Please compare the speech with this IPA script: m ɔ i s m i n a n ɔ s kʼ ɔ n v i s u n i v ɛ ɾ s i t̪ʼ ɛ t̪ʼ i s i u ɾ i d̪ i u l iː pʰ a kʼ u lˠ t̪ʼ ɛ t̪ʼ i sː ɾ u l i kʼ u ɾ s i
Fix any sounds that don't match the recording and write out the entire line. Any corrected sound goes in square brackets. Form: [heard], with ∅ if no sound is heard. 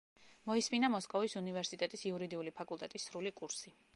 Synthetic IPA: m ɔ i s m i n a [m] ɔ s kʼ ɔ [∅] v i s u n i v ɛ ɾ s i t̪ʼ ɛ t̪ʼ i s i u ɾ i d̪ i u l [i] pʰ a kʼ u lˠ t̪ʼ ɛ t̪ʼ i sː ɾ u l i kʼ u ɾ s i